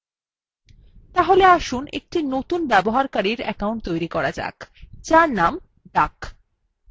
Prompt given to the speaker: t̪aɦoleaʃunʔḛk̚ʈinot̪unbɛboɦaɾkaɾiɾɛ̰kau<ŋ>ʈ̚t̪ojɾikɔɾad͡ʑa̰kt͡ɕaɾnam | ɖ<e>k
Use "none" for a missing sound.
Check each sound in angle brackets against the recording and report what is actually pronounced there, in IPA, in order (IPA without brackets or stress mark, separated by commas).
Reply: ɳ, a